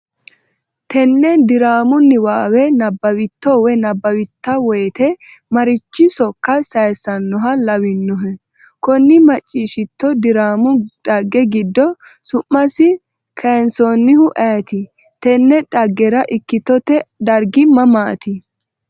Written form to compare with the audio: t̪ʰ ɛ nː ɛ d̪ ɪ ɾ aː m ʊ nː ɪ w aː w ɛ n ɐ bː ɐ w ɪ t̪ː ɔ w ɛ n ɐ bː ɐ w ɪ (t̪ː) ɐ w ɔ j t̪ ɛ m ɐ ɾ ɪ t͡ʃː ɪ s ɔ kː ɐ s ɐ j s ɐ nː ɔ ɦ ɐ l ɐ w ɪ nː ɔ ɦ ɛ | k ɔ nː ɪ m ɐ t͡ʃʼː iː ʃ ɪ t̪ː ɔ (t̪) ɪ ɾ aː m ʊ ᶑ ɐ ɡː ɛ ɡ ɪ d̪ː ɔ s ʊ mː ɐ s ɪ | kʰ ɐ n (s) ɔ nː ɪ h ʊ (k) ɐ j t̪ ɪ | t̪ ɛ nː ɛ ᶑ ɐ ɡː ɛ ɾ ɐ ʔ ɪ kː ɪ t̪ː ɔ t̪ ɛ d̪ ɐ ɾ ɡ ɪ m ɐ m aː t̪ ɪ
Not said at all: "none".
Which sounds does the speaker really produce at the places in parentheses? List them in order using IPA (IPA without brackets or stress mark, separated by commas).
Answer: t̪ː, d̪, s, ʔ